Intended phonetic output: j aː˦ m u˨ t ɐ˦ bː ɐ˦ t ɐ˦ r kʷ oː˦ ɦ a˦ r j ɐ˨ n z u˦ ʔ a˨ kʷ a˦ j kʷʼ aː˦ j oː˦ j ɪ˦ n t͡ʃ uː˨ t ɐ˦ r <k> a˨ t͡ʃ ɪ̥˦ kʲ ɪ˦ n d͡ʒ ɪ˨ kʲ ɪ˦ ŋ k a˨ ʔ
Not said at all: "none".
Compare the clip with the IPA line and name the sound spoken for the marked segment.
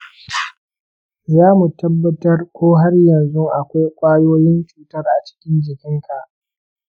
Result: ʔ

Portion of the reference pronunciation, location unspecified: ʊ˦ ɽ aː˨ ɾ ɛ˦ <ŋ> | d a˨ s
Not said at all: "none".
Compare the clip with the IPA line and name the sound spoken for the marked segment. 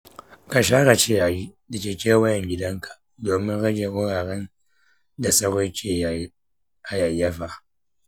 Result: n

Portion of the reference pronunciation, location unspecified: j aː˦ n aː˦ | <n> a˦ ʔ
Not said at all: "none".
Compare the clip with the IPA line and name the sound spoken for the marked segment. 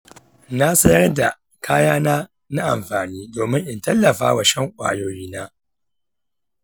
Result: n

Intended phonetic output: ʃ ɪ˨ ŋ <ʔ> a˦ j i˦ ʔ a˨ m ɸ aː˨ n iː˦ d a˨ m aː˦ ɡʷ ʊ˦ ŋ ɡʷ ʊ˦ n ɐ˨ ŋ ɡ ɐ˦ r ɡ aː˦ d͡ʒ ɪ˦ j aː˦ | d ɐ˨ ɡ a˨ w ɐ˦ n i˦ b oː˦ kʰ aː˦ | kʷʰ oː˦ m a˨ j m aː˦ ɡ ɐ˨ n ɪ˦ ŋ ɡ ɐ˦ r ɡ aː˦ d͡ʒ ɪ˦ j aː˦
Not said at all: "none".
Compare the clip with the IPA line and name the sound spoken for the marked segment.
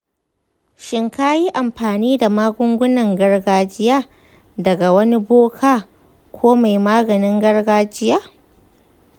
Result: k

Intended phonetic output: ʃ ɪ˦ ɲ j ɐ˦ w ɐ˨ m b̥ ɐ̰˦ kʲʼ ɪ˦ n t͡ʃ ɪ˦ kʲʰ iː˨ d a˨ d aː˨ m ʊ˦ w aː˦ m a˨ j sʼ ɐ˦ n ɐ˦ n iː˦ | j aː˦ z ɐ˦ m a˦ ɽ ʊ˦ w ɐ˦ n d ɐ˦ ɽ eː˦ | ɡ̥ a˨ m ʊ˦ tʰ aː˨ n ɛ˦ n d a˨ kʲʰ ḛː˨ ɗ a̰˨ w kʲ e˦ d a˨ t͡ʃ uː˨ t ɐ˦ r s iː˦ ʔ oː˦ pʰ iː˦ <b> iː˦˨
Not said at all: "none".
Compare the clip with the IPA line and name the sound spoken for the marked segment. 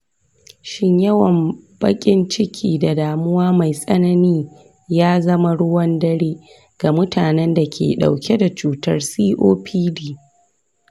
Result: d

